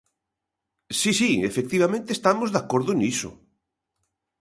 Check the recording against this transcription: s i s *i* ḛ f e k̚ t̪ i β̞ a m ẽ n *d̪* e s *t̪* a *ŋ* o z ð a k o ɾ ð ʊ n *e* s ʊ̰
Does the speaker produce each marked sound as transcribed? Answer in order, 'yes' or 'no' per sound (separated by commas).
yes, no, yes, no, no